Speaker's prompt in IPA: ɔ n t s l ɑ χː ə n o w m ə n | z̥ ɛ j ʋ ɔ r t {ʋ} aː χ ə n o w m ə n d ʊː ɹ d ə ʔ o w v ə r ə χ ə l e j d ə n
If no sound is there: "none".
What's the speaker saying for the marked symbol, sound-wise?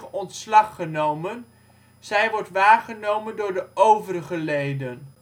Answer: ʋ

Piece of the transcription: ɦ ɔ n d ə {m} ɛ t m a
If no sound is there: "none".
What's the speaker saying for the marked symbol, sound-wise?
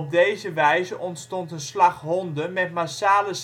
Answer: m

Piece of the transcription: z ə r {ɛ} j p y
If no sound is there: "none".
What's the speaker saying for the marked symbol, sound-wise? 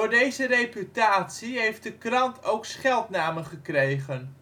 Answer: e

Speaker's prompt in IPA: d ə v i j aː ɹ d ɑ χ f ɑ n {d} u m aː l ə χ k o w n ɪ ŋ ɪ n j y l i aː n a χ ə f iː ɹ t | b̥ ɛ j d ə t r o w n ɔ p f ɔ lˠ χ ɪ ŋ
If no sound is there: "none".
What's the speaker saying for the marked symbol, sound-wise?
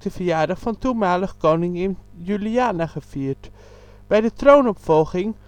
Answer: t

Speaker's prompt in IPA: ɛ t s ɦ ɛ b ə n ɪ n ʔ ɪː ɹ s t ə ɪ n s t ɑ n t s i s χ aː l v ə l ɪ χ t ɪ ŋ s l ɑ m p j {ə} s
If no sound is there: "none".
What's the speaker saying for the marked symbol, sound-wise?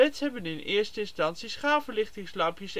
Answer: ə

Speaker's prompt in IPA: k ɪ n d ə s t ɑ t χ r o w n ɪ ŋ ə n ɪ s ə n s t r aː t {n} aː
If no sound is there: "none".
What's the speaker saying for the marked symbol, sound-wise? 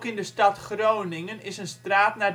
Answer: n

